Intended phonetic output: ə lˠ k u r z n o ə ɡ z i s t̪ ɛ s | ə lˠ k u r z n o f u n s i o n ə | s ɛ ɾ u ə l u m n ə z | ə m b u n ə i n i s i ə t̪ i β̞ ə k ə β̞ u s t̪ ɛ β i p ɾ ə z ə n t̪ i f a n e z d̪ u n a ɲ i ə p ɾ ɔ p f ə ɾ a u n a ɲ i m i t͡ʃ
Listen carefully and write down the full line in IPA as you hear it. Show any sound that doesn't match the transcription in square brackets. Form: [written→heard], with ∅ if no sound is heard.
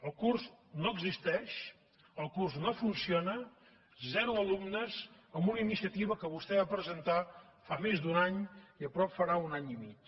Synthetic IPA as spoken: ə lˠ k u r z n o ə ɡ z i s t̪ ɛ [s→ʃ] | ə lˠ k u r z n o f u n s i o n ə | [s→z] ɛ ɾ u ə l u m n ə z | ə m b u n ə i n i s i ə t̪ i β̞ ə k ə β̞ u s t̪ ɛ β [i→a] p ɾ ə z ə n t̪ [i→a] f a [n→m] e z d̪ u n a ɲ i ə p ɾ ɔ p f ə ɾ a u n a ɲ i m i t͡ʃ